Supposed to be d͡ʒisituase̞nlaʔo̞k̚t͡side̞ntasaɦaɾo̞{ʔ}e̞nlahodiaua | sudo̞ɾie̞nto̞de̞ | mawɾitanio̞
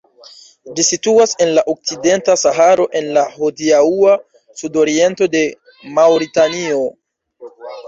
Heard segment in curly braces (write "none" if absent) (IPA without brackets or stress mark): ʔ